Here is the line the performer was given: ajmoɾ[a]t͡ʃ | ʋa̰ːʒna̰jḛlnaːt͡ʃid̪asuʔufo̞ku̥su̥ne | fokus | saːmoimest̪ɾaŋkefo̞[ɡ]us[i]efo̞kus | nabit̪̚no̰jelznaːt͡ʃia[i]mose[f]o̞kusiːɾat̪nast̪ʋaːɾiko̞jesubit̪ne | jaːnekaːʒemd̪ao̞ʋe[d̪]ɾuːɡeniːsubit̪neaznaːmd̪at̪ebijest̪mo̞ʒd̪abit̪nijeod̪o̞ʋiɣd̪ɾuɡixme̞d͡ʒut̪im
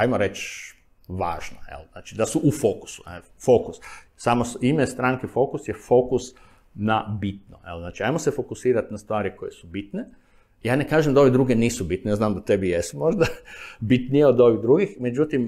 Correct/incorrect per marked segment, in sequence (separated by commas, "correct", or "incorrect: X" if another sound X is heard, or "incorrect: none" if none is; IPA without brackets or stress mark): incorrect: e, incorrect: k, incorrect: j, incorrect: j, correct, correct